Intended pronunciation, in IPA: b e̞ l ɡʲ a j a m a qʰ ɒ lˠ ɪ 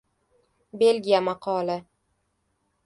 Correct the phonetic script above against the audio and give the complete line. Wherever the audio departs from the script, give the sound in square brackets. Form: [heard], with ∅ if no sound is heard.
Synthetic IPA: b e̞ l ɡʲ [i] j a m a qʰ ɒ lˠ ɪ